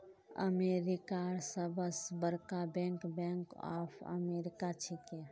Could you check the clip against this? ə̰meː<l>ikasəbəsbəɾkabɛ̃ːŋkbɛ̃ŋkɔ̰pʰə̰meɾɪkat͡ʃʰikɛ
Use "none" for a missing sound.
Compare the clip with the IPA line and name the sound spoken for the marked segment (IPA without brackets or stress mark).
ɾ